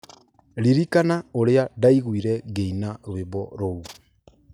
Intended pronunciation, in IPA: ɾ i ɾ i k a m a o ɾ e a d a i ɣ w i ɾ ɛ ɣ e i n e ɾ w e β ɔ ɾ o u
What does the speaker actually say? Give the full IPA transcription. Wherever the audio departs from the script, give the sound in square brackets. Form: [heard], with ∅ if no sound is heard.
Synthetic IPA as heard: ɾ i ɾ i k a [n] a o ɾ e a d a i ɣ w i ɾ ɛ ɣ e i n [a] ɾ w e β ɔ ɾ o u